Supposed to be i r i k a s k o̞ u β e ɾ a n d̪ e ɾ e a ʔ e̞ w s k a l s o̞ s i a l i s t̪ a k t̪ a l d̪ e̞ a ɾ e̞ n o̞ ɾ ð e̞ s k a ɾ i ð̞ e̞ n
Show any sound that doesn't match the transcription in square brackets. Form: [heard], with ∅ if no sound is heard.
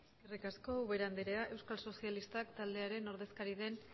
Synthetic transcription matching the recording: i r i k a s k o̞ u β e ɾ a n d̪ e ɾ e a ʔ e̞ w s k a l s o̞ s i a l i s t̪ a k t̪ a l d̪ e̞ a ɾ e̞ n o̞ ɾ ð e̞ s k a ɾ i ð̞ e̞ n